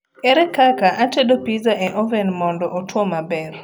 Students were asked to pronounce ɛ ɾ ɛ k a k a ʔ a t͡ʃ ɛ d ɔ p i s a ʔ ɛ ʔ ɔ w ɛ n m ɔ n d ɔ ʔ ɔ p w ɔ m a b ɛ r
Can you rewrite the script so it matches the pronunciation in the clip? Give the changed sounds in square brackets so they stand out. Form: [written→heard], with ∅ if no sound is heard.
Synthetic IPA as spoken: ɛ ɾ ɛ k a k a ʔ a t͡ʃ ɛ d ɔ p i [s→z] a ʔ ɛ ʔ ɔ [w→v] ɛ n m ɔ n d ɔ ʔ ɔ [p→t] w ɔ m a b ɛ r